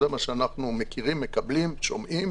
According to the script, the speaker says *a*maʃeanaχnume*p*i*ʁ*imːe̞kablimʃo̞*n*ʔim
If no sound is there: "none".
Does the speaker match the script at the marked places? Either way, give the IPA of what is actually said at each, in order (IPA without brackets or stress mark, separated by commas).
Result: e, k, ʁ, m